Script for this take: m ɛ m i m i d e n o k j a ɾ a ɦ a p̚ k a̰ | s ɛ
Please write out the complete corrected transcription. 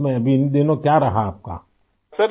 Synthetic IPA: m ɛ b i n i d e n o k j a ɾ a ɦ a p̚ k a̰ | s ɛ